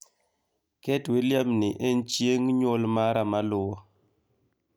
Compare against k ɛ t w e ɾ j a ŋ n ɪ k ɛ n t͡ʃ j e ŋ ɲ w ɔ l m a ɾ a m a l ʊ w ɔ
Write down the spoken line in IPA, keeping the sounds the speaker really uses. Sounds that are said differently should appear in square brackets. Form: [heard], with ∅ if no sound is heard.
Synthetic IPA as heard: k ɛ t w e [l] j a [m] n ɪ [ʔ] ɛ n t͡ʃ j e ŋ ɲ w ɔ l m a ɾ a m a l ʊ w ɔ